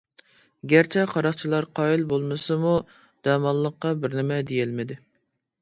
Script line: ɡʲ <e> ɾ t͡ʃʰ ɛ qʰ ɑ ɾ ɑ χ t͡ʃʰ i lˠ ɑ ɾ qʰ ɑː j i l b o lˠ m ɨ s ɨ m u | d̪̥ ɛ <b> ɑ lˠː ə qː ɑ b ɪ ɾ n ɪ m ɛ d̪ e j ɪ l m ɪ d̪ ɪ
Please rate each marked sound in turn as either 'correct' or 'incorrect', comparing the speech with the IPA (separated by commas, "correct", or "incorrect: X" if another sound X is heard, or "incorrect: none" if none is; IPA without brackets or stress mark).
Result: incorrect: æ, incorrect: m